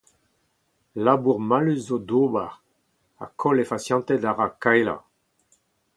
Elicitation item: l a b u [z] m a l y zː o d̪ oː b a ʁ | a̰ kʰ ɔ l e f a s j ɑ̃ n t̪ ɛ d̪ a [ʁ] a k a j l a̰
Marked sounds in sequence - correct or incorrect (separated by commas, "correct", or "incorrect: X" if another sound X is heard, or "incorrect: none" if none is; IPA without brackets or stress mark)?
incorrect: ʁ, correct